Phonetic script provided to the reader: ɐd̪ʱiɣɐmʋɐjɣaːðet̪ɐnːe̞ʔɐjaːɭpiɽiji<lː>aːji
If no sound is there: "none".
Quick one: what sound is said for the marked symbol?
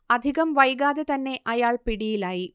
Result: l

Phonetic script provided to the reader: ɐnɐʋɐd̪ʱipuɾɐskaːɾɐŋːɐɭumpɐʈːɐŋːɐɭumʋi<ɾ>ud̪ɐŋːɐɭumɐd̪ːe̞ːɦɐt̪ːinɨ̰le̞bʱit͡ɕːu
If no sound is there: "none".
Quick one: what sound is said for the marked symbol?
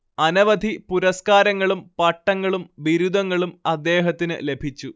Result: ɾ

